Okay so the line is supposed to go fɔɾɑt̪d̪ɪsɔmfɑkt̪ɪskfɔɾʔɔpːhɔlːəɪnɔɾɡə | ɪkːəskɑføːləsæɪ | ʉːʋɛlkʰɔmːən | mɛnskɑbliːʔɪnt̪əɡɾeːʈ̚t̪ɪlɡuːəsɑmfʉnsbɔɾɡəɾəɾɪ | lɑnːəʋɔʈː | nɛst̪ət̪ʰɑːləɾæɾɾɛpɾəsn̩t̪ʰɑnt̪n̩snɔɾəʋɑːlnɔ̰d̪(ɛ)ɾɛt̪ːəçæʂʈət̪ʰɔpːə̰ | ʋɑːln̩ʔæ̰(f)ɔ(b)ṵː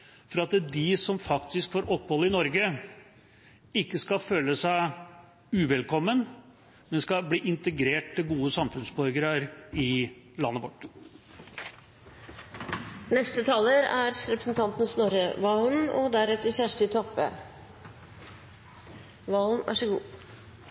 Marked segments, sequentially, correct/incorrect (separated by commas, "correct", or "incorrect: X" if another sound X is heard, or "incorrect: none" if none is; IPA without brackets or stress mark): incorrect: æ, incorrect: ʂ, incorrect: ɡ